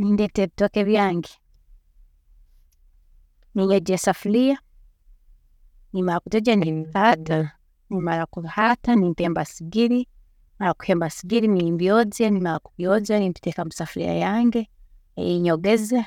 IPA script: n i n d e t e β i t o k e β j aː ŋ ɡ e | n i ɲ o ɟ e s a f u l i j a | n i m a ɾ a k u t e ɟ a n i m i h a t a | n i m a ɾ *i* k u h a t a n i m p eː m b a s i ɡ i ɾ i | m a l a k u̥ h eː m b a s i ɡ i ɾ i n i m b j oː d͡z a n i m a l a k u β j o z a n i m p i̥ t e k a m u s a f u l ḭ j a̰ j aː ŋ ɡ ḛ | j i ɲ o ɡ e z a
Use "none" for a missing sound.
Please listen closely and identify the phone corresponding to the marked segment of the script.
a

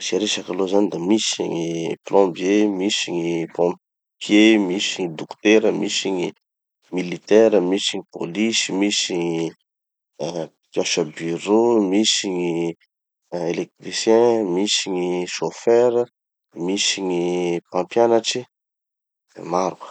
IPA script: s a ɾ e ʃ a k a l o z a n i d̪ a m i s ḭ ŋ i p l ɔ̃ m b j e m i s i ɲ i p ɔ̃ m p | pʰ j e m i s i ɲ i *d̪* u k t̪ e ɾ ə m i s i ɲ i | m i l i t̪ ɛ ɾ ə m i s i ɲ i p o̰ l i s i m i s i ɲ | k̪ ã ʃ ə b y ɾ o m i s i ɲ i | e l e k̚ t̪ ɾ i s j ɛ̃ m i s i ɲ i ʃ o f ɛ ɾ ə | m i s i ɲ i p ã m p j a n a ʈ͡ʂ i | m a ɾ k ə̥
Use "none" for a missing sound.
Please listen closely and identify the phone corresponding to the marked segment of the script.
d̪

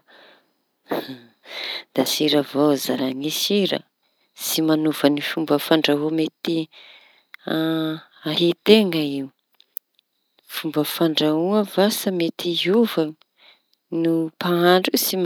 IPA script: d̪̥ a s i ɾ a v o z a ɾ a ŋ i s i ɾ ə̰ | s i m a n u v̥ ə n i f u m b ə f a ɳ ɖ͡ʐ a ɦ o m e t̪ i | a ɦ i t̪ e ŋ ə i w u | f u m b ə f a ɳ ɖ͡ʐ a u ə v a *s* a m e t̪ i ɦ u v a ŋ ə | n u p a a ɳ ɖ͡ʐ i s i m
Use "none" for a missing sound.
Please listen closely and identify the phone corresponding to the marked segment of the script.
s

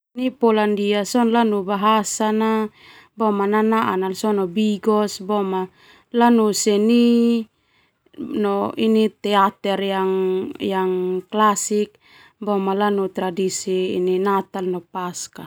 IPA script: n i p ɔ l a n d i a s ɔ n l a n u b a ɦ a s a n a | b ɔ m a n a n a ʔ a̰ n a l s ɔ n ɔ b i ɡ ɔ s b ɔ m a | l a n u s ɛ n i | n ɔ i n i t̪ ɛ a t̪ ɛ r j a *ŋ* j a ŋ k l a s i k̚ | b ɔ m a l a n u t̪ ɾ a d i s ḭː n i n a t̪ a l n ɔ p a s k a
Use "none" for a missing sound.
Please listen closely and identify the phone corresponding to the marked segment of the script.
ŋ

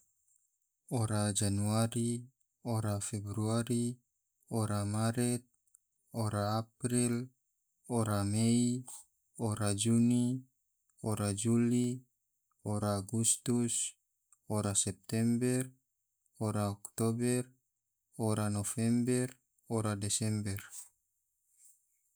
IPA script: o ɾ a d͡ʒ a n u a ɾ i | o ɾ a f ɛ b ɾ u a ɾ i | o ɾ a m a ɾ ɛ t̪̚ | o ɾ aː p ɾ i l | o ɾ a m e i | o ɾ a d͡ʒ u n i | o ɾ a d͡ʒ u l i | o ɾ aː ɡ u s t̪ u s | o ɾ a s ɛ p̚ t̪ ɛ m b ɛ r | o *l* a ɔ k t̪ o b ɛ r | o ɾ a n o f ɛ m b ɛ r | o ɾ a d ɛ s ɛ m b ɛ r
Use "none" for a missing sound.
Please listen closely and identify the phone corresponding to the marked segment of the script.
ɾ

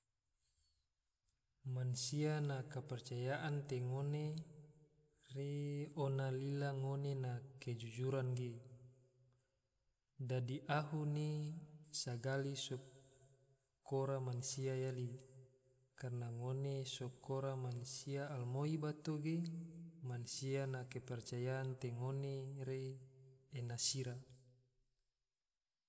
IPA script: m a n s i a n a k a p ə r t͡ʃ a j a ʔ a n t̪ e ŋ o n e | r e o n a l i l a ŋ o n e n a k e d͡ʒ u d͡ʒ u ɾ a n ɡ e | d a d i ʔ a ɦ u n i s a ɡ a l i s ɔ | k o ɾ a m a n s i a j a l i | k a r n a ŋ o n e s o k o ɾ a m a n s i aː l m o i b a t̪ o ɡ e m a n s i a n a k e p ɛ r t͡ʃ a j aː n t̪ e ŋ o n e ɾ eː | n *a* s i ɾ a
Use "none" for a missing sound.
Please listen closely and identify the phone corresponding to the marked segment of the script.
a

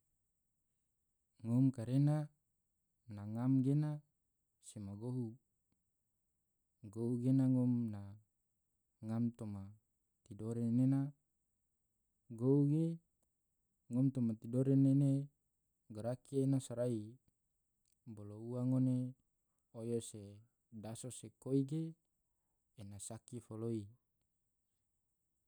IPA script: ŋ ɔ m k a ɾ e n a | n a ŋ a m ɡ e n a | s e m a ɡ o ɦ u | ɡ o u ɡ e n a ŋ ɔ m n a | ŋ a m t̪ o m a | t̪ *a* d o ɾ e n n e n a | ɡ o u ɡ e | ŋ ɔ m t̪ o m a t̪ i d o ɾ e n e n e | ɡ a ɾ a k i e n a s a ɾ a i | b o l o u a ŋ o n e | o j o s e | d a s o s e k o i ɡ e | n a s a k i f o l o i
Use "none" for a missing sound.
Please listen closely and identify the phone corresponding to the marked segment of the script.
i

